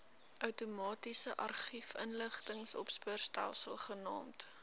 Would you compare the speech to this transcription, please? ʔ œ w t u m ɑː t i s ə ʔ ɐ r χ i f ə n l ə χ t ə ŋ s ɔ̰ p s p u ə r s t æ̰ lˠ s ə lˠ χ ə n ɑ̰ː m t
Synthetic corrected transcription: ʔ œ w t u m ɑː t i s ə ʔ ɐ r χ i f ə n l ə χ t ə ŋ s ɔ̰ p s p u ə r s t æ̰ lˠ s ə lˠ χ ə n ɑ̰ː m t